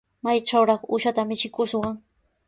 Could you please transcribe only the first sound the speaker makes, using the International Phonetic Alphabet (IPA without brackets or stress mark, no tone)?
m